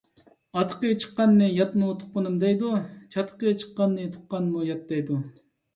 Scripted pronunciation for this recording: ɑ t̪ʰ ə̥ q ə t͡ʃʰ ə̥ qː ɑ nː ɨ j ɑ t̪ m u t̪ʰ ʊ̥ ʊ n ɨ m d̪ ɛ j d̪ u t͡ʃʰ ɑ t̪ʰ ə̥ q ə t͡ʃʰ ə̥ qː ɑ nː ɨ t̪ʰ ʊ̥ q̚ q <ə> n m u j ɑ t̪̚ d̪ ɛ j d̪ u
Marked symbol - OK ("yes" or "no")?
no